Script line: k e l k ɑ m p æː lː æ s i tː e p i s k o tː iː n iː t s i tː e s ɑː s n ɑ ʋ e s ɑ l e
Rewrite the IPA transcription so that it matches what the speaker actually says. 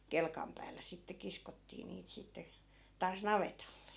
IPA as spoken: k e l k ɑ m p æː lː æ s i tː e k i s k o tː iː n iː t s i tː e t ɑː s n ɑ ʋ e t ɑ lː e